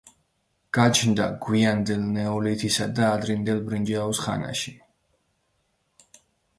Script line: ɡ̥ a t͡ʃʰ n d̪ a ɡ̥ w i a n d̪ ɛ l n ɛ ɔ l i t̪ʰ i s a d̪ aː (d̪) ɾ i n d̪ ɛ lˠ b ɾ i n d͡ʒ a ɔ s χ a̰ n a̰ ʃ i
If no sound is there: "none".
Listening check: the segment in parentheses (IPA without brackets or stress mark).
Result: d̪